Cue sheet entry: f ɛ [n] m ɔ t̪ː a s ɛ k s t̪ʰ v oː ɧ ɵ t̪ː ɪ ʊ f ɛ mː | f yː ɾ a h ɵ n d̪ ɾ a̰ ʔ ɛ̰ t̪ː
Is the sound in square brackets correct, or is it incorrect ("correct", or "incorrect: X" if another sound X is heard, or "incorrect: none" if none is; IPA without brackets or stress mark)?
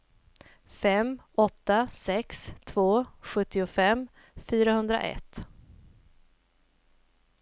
incorrect: none